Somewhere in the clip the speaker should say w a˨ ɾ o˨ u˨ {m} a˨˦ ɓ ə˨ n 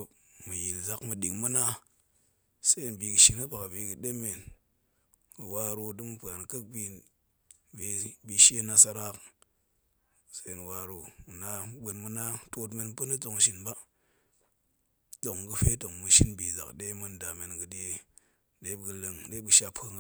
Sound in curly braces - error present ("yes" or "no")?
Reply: yes